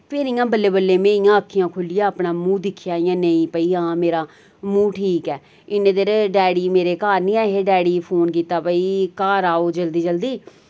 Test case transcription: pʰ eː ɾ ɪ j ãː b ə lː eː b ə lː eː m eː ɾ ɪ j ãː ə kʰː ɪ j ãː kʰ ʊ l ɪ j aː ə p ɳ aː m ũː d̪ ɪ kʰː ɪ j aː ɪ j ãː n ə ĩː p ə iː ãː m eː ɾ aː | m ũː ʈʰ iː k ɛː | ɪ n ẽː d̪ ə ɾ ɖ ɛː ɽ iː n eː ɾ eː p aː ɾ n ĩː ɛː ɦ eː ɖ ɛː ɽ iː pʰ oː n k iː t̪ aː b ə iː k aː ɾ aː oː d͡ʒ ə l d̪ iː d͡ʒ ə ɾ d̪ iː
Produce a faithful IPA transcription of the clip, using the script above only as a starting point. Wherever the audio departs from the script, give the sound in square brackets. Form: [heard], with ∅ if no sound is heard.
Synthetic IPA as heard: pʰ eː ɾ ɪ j ãː b ə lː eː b ə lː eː m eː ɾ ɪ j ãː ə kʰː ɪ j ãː kʰ ʊ l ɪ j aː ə p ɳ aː m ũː d̪ ɪ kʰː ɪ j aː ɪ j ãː n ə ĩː p ə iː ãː m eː ɾ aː | m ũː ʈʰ iː k ɛː | ɪ n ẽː d̪ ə ɾ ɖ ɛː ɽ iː [m] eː ɾ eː [k] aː ɾ n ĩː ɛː ɦ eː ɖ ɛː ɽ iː pʰ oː n k iː t̪ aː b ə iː k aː ɾ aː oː d͡ʒ ə l d̪ iː d͡ʒ ə [l] d̪ iː

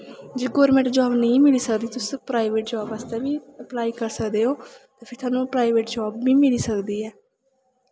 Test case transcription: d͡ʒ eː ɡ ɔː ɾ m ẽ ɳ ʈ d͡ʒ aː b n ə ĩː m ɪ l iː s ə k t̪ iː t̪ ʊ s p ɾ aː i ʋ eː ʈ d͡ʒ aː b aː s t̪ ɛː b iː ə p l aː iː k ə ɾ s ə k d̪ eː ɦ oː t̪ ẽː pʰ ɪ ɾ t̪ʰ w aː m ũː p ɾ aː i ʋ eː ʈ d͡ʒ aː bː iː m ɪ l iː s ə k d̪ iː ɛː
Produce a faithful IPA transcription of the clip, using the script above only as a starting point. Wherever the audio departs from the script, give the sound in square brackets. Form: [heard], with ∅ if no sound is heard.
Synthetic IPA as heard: d͡ʒ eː ɡ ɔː ɾ m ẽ ɳ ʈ d͡ʒ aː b n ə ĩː m ɪ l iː s ə k [d̪] iː t̪ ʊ s p ɾ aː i ʋ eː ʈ d͡ʒ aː b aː s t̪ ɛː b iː ə p l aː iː k ə ɾ s ə k d̪ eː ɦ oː t̪ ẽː pʰ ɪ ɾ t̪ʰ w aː [n] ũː p ɾ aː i ʋ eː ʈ d͡ʒ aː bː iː m ɪ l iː s ə k d̪ iː ɛː

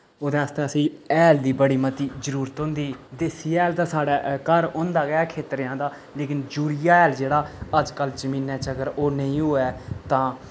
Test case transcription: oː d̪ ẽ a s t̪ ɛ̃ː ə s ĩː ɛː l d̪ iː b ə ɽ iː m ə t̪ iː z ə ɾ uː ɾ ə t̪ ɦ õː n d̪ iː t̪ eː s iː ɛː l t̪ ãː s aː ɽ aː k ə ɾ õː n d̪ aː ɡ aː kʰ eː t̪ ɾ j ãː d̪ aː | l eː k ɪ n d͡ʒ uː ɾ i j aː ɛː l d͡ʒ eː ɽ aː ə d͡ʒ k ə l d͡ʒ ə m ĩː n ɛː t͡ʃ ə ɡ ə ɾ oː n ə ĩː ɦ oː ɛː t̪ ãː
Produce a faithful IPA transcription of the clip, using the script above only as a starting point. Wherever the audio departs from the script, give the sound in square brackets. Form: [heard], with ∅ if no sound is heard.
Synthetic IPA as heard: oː d̪ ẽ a s t̪ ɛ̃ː ə s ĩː ɛː l d̪ iː b ə ɽ iː m ə t̪ iː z ə ɾ uː ɾ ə t̪ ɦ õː n d̪ iː [d̪] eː s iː ɛː l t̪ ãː s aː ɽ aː k ə ɾ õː n d̪ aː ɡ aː kʰ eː t̪ ɾ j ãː d̪ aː | l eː k ɪ n d͡ʒ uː ɾ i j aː ɛː l d͡ʒ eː ɽ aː ə d͡ʒ k ə l d͡ʒ ə m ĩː n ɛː t͡ʃ ə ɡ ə ɾ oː n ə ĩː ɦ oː ɛː t̪ ãː

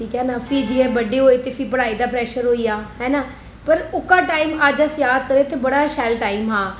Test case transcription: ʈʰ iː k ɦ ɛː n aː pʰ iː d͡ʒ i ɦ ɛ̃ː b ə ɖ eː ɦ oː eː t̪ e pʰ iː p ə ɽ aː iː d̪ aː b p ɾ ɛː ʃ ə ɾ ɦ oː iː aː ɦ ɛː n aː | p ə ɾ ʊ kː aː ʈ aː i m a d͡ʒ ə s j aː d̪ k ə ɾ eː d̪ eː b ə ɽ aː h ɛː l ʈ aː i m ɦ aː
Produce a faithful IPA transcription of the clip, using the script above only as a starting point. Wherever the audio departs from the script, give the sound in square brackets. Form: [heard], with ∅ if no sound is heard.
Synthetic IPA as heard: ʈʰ iː k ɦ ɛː n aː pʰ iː d͡ʒ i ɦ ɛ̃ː b ə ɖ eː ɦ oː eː t̪ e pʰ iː p ə ɽ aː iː d̪ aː [∅] p ɾ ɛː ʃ ə ɾ ɦ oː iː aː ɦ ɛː n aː | p ə ɾ ʊ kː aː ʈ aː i m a d͡ʒ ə s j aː d̪ k ə ɾ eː [t̪] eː b ə ɽ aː [ʃ] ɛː l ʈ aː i m ɦ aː

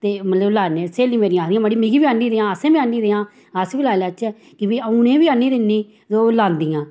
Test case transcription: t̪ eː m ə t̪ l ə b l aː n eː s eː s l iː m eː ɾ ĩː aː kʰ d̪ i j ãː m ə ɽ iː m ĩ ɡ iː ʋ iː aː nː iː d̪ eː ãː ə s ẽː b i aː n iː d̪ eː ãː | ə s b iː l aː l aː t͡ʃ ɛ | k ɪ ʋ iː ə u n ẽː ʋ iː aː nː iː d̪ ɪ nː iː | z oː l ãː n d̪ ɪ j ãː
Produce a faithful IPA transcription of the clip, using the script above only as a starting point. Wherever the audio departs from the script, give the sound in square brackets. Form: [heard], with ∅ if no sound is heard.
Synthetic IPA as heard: t̪ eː m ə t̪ l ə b l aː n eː s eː [∅] l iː m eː ɾ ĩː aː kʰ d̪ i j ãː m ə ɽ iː m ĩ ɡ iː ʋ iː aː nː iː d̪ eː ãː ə s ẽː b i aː n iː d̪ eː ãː | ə s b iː l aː l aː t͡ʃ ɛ | k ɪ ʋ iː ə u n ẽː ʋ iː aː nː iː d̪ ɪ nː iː | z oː l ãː n d̪ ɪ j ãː

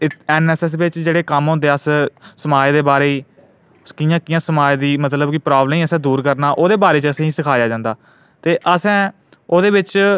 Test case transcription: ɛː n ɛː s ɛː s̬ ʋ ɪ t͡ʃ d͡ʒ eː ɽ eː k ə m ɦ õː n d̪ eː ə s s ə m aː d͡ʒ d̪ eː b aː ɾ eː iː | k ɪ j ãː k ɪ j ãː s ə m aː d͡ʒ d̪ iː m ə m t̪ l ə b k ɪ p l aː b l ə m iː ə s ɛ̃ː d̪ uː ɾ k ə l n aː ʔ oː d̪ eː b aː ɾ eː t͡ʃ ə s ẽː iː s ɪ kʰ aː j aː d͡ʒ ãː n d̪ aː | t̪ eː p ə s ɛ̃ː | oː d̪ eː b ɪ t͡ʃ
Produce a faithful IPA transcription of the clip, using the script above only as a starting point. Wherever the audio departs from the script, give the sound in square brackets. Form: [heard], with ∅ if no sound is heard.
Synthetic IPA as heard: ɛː n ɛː s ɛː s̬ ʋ ɪ t͡ʃ d͡ʒ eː ɽ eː k ə m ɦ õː n d̪ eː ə s s ə m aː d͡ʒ d̪ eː b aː ɾ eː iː | k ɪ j ãː k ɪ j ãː s ə m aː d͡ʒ d̪ iː m ə [∅] t̪ l ə b k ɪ p [ɾ] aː b l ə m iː ə s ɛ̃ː d̪ uː ɾ k ə [ɾ] n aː ʔ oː d̪ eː b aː ɾ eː t͡ʃ ə s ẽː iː s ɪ kʰ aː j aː d͡ʒ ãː n d̪ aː | t̪ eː [ʔ] ə s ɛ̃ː | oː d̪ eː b ɪ t͡ʃ

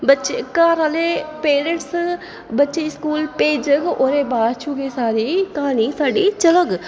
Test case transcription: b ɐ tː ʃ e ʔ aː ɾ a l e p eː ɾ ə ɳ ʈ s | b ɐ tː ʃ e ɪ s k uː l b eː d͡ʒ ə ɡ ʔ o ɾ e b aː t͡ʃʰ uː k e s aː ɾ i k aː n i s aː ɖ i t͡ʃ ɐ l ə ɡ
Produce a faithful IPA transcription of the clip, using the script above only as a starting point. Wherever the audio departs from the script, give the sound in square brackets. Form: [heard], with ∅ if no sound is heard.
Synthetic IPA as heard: b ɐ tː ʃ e [k] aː ɾ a l e p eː ɾ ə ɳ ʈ s | b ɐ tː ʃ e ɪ s k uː l [p] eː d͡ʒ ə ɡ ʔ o ɾ e b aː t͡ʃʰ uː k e s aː ɾ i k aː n i s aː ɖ i t͡ʃ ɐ l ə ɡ

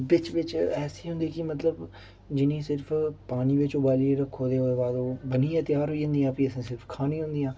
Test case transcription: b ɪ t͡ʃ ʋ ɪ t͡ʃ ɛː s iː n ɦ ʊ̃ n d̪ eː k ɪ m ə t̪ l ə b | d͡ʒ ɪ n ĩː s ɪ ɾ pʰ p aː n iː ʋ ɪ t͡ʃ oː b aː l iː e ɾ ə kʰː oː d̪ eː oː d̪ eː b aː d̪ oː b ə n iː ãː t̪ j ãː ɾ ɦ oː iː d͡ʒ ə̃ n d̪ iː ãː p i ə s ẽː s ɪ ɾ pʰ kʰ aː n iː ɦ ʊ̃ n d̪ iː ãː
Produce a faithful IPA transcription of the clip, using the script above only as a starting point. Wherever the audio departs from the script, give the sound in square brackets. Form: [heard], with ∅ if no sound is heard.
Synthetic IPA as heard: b ɪ t͡ʃ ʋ ɪ t͡ʃ ɛː s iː [∅] ɦ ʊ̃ n d̪ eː k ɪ m ə t̪ l ə b | d͡ʒ ɪ n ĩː s ɪ ɾ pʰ p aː n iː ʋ ɪ t͡ʃ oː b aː l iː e ɾ ə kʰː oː d̪ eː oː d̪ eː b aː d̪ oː b ə n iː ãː t̪ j [aː] ɾ ɦ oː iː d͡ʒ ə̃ n d̪ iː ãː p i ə s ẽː s ɪ ɾ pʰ kʰ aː n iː ɦ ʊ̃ n d̪ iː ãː

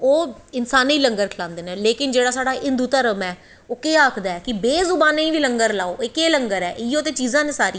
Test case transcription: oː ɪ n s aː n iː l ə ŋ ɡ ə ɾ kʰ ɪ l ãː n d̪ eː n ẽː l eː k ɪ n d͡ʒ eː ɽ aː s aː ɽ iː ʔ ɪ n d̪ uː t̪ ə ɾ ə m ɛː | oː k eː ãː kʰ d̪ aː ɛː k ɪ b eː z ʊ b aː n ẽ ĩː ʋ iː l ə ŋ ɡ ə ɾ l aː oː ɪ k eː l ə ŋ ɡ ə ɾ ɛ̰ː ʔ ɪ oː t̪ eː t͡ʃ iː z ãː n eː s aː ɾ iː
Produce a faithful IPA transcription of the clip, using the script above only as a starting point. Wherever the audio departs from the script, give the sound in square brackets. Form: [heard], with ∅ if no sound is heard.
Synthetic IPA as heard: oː ɪ n s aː n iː l ə ŋ ɡ ə ɾ kʰ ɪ l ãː n d̪ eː n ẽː l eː k ɪ n d͡ʒ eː ɽ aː s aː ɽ [aː] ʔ ɪ n d̪ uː t̪ ə ɾ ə m ɛː | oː k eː [aː] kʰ d̪ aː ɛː k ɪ b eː z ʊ b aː n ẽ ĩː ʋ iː l ə ŋ ɡ ə ɾ l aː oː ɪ k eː l ə ŋ ɡ ə ɾ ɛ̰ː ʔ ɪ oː t̪ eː t͡ʃ iː z ãː n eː s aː ɾ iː

